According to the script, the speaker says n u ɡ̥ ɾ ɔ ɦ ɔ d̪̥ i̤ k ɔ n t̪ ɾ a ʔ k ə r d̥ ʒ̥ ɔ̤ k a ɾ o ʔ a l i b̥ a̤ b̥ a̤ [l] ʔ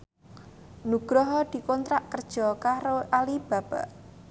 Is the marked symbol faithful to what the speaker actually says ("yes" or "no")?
no